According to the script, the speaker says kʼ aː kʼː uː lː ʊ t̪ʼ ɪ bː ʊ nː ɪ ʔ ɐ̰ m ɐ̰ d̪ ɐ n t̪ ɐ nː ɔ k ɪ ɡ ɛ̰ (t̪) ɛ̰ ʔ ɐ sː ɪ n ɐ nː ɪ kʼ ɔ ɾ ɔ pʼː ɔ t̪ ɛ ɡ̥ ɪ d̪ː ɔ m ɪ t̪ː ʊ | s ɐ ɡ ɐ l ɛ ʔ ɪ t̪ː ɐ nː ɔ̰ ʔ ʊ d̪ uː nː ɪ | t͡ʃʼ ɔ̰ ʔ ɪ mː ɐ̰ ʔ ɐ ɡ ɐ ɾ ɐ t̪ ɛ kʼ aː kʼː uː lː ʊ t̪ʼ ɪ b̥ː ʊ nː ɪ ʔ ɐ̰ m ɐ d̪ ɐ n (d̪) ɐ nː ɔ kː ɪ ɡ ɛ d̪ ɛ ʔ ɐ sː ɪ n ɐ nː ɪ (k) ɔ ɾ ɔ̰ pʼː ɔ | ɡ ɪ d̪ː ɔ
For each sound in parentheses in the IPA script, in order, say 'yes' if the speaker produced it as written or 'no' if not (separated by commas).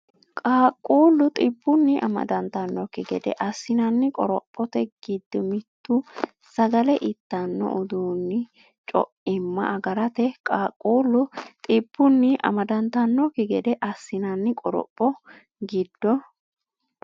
no, no, no